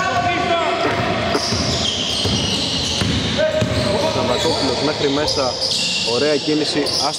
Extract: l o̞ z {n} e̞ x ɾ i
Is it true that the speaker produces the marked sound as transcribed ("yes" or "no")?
no